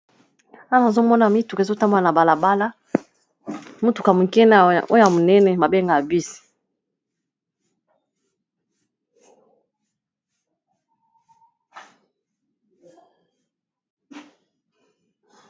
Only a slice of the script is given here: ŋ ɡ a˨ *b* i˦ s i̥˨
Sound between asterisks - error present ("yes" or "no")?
no